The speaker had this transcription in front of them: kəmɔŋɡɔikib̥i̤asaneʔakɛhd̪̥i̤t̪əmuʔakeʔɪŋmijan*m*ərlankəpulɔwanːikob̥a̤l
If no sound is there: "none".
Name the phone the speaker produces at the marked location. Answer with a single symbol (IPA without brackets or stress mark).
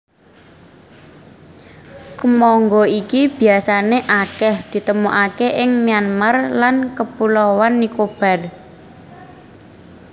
m